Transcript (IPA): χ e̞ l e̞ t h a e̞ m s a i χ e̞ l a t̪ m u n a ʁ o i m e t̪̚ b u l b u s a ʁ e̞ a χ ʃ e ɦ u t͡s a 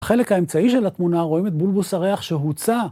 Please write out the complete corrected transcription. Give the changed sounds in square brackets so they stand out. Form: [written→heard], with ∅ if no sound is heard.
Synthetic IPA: χ e̞ l e̞ [t→k] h a e̞ m [s→t͡s] a i [χ→ʃ] e̞ l a t̪ m u n a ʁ o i m e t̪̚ b u l b u s a ʁ e̞ a χ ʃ e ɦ u t͡s a